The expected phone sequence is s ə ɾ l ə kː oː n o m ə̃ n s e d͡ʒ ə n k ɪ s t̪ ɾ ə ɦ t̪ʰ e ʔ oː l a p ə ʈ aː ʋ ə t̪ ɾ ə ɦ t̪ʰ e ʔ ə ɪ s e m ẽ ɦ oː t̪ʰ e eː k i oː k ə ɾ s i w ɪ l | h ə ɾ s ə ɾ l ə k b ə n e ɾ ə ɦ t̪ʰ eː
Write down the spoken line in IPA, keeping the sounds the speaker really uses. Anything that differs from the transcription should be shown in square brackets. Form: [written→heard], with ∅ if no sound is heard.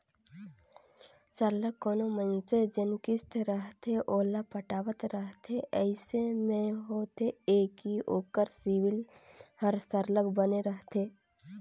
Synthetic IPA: s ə ɾ l ə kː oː n o m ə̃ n s e d͡ʒ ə n k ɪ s t̪ ɾ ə ɦ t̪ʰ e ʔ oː l a p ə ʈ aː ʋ ə t̪ ɾ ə ɦ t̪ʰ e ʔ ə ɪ s e m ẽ ɦ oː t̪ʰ e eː k i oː k ə ɾ s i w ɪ l | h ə ɾ s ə ɾ l ə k b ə n e ɾ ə ɦ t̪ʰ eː